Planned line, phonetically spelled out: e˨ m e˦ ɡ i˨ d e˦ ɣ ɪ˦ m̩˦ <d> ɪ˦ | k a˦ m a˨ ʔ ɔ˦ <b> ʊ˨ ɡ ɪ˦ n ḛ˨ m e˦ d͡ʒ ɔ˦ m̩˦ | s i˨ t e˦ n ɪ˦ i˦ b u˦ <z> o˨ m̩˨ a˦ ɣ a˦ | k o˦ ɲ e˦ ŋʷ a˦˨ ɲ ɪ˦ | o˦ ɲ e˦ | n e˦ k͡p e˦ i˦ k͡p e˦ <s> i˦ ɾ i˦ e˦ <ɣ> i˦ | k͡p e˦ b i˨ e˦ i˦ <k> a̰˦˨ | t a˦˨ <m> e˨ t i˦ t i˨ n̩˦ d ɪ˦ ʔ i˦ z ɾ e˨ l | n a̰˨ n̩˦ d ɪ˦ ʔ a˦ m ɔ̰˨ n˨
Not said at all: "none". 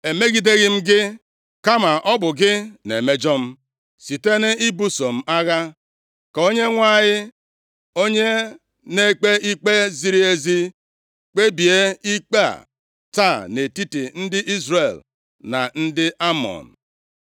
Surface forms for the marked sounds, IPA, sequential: ɡ, b, s, z, z, k͡p, n

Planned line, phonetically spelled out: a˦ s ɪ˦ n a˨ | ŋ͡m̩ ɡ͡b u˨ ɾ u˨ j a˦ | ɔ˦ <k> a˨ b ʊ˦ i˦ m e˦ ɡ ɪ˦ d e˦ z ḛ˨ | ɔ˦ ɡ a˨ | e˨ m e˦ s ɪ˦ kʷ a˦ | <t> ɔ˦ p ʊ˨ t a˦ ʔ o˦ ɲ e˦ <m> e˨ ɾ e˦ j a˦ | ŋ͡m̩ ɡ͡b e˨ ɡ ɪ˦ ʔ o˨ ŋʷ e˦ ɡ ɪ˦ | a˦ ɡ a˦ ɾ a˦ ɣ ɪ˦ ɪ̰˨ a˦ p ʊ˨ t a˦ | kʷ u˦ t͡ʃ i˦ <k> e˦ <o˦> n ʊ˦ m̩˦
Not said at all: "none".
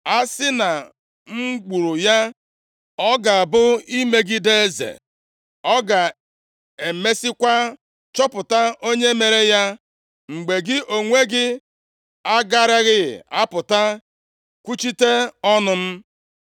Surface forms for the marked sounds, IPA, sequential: ɡ, t͡ʃ, m, t, ɔ˦

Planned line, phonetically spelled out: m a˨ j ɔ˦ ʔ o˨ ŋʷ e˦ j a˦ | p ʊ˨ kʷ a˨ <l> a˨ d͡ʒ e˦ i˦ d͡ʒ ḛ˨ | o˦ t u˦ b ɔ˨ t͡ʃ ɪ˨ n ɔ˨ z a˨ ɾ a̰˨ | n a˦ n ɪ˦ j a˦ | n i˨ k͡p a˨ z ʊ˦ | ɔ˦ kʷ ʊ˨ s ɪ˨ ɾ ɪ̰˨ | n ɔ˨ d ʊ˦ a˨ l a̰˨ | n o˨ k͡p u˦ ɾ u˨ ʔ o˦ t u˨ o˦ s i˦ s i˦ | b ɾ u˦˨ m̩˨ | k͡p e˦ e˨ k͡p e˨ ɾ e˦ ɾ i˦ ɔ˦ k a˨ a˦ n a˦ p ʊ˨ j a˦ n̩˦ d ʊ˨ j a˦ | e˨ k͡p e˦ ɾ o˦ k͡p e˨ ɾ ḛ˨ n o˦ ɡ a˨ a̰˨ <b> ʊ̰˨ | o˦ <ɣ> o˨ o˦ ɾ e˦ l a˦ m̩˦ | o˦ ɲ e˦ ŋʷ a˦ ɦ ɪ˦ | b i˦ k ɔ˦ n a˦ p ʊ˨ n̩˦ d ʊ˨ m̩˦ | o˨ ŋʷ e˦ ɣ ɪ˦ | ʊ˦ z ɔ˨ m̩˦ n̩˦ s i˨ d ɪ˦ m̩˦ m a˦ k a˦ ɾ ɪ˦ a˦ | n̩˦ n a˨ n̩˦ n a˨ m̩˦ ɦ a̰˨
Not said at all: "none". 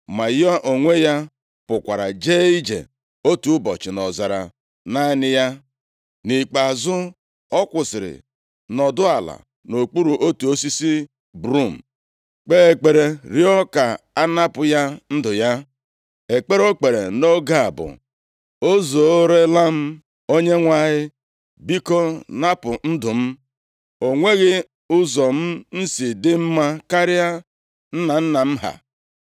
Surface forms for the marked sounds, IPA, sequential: ɾ, b, z

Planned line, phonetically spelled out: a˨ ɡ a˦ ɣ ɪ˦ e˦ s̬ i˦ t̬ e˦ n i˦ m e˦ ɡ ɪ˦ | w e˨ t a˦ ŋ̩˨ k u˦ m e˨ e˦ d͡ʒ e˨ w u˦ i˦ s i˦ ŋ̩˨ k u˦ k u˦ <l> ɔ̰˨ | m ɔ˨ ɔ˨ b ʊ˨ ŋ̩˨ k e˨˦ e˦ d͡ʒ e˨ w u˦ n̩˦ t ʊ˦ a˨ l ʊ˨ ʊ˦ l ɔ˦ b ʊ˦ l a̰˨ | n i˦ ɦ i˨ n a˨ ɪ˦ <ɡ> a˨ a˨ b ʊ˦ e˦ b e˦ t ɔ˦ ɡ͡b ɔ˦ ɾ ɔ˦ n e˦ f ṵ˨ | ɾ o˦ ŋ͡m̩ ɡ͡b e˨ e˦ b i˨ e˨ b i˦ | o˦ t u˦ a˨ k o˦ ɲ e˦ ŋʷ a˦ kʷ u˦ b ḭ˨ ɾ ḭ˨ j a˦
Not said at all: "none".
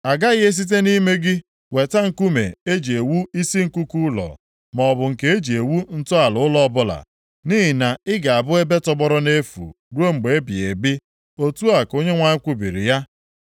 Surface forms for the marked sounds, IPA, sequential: l, ɡ

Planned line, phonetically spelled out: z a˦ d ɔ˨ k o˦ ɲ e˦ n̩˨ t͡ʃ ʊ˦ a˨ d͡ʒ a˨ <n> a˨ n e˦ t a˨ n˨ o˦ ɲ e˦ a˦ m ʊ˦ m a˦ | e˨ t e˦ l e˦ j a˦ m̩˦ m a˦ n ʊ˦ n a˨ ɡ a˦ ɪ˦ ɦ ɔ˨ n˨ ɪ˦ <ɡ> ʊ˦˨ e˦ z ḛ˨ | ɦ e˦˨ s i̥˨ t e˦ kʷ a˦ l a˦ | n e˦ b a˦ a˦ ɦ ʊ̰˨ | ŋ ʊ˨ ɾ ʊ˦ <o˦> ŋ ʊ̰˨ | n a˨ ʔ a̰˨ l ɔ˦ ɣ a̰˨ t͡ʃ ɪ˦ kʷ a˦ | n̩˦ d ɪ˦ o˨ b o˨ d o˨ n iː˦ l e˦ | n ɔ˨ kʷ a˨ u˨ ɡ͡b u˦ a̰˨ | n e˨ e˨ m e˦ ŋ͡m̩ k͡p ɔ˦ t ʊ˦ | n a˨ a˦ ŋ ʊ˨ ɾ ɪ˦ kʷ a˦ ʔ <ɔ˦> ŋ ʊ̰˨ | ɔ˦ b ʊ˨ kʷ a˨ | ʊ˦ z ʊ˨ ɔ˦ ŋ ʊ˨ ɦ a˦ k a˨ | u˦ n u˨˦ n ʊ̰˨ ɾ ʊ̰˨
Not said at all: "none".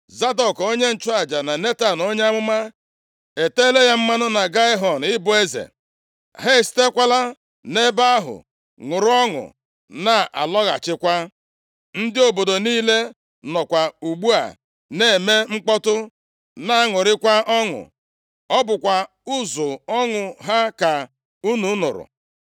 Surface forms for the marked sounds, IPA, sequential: n, b, ɔ˦, ɔ˦

